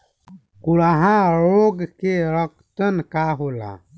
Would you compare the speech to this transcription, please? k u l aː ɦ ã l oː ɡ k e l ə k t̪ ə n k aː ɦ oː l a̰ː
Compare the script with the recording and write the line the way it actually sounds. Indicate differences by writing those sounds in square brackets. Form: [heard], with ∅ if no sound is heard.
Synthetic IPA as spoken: k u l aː ɦ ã [ɾ] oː ɡ k e [ɾ] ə k t̪ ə n k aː ɦ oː l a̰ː